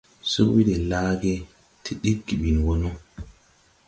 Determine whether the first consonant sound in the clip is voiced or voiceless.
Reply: voiceless